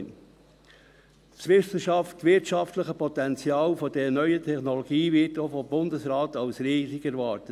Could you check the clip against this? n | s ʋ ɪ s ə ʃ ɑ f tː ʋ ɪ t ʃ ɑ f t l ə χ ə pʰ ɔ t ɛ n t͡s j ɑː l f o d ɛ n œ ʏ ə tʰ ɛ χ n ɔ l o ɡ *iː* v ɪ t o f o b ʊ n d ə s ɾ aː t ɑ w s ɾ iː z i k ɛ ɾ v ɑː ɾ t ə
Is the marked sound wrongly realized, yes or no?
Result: no